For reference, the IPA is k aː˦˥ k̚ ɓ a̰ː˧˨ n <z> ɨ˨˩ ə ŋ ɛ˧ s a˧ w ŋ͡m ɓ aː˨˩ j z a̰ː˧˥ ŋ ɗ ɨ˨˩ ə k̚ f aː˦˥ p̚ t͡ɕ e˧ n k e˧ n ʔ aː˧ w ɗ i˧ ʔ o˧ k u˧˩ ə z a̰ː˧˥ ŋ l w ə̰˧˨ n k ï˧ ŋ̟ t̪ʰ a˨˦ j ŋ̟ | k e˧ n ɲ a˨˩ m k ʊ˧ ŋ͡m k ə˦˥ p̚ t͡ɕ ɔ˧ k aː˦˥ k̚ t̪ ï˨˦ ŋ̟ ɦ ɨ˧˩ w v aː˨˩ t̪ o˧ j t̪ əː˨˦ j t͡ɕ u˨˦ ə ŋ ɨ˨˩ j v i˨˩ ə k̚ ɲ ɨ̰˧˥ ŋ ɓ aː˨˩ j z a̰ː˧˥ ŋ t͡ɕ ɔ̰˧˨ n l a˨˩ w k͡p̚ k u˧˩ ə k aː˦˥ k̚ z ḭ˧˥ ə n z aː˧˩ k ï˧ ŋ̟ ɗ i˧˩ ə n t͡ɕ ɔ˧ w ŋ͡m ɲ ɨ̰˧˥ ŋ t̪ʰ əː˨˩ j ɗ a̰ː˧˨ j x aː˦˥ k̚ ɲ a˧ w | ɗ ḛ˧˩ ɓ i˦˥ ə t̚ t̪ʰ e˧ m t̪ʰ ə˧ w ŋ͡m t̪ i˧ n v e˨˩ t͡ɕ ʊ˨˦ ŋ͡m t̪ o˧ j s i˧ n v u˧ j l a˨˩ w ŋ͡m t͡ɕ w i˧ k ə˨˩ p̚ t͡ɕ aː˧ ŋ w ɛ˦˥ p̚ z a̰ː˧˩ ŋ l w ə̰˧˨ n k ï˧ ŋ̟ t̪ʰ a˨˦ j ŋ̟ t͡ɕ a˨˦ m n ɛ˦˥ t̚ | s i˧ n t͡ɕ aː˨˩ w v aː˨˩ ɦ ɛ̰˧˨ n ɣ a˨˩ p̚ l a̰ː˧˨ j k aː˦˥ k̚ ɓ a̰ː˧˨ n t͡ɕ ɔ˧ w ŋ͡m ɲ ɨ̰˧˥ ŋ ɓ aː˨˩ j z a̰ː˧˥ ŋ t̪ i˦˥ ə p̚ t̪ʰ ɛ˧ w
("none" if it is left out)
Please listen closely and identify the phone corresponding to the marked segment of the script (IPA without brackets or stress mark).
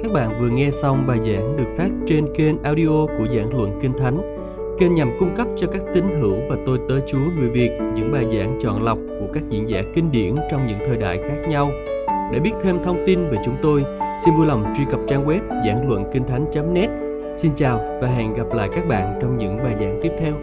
v